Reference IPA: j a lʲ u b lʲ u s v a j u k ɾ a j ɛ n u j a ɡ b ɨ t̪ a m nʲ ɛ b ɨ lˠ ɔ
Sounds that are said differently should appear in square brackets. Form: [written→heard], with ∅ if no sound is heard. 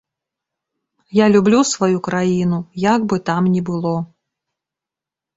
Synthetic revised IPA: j a lʲ u b lʲ u s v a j u k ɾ a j [ɛ→i] n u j a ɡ b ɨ t̪ a m nʲ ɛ b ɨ lˠ ɔ